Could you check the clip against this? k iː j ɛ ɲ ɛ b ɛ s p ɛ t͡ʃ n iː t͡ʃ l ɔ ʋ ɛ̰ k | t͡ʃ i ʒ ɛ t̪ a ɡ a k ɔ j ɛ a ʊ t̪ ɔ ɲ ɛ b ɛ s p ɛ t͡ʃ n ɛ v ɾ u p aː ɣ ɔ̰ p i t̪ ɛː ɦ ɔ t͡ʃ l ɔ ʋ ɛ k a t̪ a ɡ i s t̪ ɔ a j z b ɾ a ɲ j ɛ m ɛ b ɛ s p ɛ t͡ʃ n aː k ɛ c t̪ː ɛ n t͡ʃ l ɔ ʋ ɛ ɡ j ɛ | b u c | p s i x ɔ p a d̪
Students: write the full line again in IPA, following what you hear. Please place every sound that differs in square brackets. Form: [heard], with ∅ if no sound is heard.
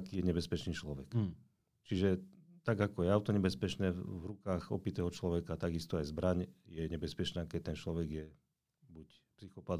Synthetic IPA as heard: k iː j ɛ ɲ ɛ b ɛ s p ɛ t͡ʃ n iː t͡ʃ l ɔ ʋ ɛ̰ k | t͡ʃ i ʒ ɛ t̪ a ɡ a k ɔ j ɛ a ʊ t̪ ɔ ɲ ɛ b ɛ s p ɛ t͡ʃ n ɛ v ɾ u [k] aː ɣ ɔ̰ p i t̪ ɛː ɦ ɔ t͡ʃ l ɔ ʋ ɛ k a t̪ a ɡ i s t̪ ɔ a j z b ɾ a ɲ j ɛ [ɲ] ɛ b ɛ s p ɛ t͡ʃ n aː k ɛ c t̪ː ɛ n t͡ʃ l ɔ ʋ ɛ ɡ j ɛ | b u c | p s i x ɔ p a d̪